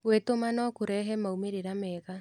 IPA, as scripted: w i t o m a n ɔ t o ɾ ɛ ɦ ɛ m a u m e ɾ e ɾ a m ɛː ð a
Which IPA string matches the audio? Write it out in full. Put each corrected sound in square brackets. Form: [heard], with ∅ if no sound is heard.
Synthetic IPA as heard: w [e] t o m a n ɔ [k] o ɾ ɛ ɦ ɛ m a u m e ɾ e ɾ a m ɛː [ɣ] a